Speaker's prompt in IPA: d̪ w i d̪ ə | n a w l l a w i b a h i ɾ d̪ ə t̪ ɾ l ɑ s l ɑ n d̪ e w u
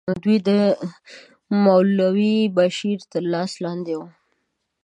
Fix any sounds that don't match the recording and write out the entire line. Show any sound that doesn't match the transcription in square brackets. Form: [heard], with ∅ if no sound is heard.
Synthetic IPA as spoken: d̪ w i d̪ ə | [m] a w l l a w i b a [ʃ] i ɾ [t̪] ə [∅] ɾ l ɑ s l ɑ n d̪ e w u